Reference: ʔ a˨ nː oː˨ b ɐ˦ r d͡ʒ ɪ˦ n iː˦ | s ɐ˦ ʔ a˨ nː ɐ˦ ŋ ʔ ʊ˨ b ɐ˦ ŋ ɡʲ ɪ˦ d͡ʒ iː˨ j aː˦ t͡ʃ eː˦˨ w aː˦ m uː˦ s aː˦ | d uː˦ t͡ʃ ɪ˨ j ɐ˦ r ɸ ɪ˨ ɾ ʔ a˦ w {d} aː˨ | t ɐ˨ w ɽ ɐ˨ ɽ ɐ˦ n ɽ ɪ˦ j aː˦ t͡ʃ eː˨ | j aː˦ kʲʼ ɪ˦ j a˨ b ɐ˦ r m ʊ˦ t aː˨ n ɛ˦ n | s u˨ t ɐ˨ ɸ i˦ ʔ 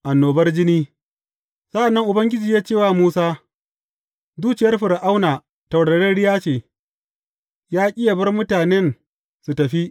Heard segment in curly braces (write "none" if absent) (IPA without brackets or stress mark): n